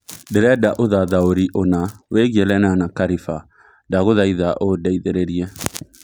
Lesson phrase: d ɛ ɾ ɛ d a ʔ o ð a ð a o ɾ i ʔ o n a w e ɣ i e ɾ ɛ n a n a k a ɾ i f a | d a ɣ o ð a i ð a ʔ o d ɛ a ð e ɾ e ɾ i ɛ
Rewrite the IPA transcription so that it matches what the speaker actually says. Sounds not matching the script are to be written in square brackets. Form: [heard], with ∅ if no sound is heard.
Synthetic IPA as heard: d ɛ ɾ ɛ d a ʔ o ð a ð a o ɾ i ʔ o n a w e ɣ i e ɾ ɛ n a n a k a ɾ i f a | d a ɣ o ð a i ð a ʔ o d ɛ [i] ð e ɾ e ɾ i ɛ